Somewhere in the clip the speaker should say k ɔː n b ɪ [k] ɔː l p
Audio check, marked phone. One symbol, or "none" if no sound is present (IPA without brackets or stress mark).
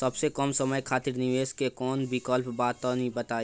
k